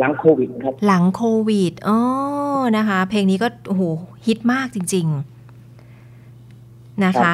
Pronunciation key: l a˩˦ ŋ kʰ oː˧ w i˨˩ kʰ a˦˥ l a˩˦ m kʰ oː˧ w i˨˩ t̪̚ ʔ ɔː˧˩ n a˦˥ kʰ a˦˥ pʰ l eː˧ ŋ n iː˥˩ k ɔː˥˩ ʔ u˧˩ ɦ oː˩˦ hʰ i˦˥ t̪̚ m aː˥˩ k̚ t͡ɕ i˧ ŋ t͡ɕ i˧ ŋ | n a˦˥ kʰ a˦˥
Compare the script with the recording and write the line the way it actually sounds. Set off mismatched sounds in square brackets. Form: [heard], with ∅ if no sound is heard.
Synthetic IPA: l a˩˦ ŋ kʰ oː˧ w i˨˩ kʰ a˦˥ l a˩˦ [ŋ] kʰ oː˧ w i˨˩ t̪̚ ʔ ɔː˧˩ n a˦˥ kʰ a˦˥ pʰ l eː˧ ŋ n [iː˦˥] k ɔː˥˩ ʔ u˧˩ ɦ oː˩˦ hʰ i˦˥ t̪̚ m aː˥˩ k̚ t͡ɕ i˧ ŋ t͡ɕ i˧ ŋ | n a˦˥ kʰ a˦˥